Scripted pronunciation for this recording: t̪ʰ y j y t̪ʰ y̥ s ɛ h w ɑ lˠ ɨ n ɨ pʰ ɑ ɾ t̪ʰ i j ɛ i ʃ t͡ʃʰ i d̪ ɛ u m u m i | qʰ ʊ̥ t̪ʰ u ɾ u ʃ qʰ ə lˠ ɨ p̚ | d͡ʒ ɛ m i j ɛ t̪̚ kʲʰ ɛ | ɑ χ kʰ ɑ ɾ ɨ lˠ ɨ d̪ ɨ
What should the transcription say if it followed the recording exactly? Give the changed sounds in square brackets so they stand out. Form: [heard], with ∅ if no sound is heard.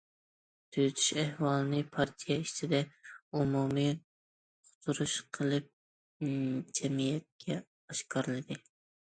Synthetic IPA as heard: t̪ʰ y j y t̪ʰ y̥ [ʃ] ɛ h w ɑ lˠ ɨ n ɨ pʰ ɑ ɾ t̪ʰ i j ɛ i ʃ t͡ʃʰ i d̪ ɛ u m u m i | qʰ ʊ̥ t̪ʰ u ɾ u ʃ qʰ ə lˠ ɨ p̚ | d͡ʒ ɛ m i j ɛ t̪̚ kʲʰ ɛ | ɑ [ʃ] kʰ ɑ ɾ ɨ lˠ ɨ d̪ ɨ